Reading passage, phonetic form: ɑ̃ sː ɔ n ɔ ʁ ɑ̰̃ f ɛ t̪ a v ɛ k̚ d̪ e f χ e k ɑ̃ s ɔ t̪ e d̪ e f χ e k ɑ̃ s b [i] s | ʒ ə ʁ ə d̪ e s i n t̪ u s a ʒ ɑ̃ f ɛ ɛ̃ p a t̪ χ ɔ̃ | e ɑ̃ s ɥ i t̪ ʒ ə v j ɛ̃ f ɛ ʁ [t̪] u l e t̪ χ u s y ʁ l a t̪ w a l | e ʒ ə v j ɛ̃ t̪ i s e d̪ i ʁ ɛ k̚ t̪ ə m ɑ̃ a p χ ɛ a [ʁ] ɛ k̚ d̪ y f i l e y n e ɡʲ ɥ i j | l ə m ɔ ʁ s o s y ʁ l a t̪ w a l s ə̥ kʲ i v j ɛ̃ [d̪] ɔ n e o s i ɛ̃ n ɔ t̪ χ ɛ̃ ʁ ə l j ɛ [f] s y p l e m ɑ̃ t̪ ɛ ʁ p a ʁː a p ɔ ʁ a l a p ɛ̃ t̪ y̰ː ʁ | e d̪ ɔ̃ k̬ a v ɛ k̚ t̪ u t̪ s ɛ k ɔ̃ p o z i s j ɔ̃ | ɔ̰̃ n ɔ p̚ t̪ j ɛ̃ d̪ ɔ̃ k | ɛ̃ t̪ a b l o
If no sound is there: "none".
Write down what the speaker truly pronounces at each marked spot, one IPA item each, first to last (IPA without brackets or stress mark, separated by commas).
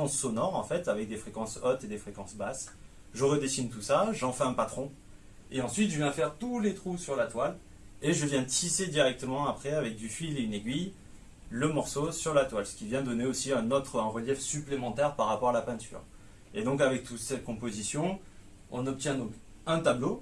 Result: a, t̪, v, d̪, f